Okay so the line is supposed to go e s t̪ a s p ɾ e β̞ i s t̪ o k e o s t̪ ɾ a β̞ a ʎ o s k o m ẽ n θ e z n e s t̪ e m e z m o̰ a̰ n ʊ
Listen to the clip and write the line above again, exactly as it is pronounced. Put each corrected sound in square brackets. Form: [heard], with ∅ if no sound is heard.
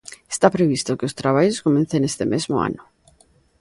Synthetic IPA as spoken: e s t̪ a [∅] p ɾ e β̞ i s t̪ o k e o s t̪ ɾ a β̞ a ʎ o s k o m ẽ n θ e [∅] n e s t̪ e m e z m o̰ a̰ n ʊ